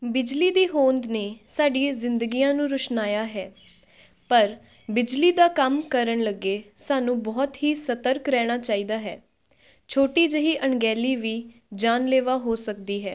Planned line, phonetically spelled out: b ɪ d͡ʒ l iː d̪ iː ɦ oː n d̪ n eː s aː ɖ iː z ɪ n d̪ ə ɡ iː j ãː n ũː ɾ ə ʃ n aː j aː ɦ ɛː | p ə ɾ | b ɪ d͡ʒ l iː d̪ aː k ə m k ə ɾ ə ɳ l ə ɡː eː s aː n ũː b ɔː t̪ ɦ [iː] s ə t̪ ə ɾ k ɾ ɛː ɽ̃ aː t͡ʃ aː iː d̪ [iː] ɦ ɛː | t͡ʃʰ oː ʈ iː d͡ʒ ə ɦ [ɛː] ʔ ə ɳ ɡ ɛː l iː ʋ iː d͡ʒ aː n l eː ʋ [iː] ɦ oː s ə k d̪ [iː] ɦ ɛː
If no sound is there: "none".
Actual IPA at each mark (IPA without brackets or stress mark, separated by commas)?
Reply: iː, aː, iː, aː, iː